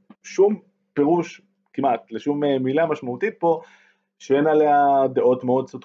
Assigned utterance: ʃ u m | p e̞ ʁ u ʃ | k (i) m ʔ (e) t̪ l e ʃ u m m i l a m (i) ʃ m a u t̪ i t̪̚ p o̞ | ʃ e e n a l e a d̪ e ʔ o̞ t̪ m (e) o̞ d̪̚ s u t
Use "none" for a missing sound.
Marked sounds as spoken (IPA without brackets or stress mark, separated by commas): i, a, a, e